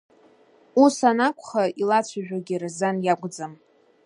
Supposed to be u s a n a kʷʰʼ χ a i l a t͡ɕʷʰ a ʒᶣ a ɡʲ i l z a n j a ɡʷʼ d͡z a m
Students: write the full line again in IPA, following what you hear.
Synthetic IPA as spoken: u s a n a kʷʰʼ χ a i l a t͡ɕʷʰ a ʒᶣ a ɡʲ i r z a n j a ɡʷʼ d͡z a m